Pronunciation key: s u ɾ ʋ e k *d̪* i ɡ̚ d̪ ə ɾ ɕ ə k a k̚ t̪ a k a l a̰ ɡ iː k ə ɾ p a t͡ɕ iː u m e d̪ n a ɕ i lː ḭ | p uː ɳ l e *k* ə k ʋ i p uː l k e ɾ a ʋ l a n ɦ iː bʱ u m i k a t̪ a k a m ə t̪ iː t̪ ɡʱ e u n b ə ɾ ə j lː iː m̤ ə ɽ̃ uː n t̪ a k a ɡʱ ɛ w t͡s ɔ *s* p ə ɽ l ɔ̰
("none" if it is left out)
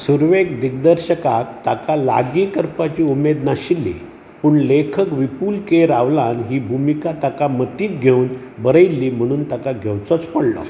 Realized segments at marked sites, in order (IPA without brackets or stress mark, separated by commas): d̪, kʰ, t͡s